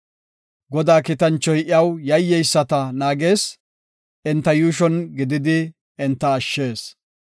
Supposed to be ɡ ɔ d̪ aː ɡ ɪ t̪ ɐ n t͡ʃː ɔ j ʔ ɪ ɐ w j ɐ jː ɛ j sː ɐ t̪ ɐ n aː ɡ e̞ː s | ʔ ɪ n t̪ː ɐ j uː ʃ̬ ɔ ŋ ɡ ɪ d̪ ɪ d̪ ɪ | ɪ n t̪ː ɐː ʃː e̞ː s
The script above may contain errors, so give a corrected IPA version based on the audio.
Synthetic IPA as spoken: ɡ ɔ d̪ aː k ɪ t̪ ɐ n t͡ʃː ɔ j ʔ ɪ ɐ w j ɐ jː ɛ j sː ɐ t̪ ɐ n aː ɡ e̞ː s | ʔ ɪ n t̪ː ɐ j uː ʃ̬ ɔ n ɡ ɪ d̪ ɪ d̪ ɪ | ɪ n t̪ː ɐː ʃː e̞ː s